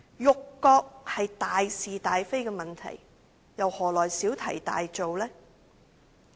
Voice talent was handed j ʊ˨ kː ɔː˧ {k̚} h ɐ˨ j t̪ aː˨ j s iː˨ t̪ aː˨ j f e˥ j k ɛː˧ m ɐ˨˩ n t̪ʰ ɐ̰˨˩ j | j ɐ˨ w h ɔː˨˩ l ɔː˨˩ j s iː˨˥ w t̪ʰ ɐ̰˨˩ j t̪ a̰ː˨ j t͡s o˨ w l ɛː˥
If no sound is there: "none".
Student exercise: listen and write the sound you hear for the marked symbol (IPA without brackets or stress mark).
k̚